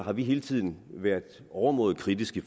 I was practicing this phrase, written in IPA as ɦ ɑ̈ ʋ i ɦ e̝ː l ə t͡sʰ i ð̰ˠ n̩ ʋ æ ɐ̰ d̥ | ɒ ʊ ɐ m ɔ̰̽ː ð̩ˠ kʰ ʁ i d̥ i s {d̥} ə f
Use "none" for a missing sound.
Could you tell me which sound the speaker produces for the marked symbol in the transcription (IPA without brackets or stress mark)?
ɡ̥